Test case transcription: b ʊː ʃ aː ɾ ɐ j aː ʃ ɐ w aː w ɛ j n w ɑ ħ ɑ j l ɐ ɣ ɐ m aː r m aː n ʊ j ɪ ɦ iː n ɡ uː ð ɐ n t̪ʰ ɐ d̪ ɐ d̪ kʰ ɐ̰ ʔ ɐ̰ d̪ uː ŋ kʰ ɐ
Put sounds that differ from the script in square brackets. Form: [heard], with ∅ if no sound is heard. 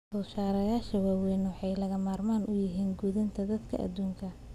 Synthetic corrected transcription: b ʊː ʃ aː ɾ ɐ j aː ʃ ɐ w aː w ɛ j n w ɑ ħ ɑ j l ɐ ɣ ɐ m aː r m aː n ʊ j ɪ ɦ iː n ɡ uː ð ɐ n t̪ʰ ɐ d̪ ɐ d̪ kʰ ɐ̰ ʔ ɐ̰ d̪ uː ŋ kʰ ɐ